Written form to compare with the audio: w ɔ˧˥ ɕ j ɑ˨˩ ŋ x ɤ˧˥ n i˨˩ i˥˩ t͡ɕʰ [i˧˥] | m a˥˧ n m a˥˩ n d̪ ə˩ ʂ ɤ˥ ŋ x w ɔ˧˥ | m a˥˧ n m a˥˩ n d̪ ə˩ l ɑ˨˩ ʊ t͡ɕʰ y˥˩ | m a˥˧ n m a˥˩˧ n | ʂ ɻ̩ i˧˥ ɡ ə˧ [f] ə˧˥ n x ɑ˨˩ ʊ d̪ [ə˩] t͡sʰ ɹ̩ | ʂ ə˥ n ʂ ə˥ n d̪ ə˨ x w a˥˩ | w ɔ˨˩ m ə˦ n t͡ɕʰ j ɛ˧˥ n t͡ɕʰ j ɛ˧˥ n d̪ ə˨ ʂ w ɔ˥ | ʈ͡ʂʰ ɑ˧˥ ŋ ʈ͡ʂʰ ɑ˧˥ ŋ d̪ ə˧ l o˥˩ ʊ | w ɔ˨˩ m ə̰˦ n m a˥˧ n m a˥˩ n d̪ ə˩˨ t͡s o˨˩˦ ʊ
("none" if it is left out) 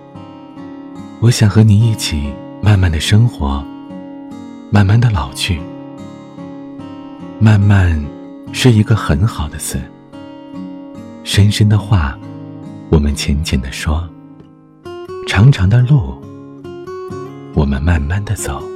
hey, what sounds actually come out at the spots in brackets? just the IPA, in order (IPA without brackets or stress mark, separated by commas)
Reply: i˨˩, x, ə˦